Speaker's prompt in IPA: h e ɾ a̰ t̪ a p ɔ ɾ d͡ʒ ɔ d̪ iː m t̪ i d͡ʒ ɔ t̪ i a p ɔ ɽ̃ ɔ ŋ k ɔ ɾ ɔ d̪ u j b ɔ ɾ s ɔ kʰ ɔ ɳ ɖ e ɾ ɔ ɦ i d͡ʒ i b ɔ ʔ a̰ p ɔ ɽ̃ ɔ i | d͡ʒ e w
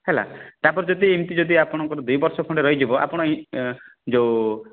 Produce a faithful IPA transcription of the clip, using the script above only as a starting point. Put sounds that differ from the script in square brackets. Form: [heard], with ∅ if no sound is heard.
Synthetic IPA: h e [l] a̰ t̪ a p ɔ ɾ d͡ʒ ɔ d̪ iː m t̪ i d͡ʒ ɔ [d̪] i a p ɔ ɽ̃ ɔ ŋ k ɔ ɾ ɔ d̪ u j b ɔ ɾ s ɔ kʰ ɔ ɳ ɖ e ɾ ɔ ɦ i d͡ʒ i b ɔ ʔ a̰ p ɔ ɽ̃ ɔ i | d͡ʒ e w